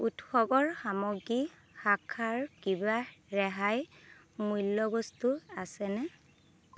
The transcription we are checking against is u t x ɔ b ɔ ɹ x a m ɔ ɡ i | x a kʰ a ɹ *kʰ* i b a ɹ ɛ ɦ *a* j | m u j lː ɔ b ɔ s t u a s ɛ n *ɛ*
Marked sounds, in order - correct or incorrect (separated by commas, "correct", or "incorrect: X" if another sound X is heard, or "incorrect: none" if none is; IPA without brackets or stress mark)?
incorrect: k, correct, correct